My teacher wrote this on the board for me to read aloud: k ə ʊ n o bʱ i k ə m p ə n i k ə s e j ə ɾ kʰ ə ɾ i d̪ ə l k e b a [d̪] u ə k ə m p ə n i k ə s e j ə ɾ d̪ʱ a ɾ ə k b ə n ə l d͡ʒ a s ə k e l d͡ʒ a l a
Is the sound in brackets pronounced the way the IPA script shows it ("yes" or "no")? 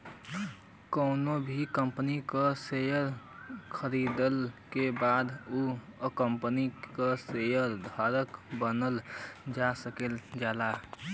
yes